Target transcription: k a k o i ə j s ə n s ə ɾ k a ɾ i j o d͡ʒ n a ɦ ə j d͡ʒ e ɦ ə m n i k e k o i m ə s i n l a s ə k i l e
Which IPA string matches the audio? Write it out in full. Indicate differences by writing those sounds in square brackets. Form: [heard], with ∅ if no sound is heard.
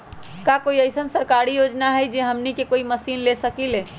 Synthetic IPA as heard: k a k o i ə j s ə n s ə ɾ k a ɾ i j o d͡ʒ n a ɦ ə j d͡ʒ e ɦ ə m n i k e k o i m ə s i n l [e] s ə k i l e